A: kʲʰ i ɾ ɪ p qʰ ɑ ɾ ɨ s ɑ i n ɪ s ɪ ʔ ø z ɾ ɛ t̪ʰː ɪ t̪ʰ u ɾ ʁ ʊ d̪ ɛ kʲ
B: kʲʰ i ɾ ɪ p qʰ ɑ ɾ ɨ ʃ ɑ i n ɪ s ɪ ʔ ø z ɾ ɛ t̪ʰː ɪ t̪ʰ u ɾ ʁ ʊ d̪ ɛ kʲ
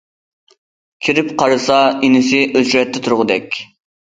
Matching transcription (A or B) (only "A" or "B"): A